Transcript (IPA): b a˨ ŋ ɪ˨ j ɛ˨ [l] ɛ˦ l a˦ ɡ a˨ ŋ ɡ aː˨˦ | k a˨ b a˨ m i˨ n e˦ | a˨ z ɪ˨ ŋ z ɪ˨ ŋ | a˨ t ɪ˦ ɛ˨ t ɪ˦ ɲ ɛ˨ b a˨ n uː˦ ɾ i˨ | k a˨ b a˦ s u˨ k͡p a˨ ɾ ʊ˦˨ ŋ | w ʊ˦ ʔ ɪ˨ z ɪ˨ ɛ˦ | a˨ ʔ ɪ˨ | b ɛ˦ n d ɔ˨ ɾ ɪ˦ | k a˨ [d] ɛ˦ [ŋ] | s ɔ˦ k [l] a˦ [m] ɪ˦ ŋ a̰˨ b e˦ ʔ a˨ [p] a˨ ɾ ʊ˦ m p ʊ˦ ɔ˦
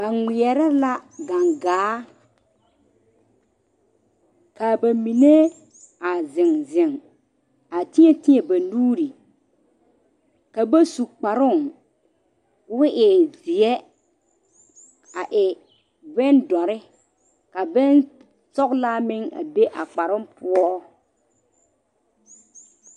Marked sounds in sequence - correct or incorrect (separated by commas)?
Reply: incorrect, incorrect, incorrect, correct, correct, incorrect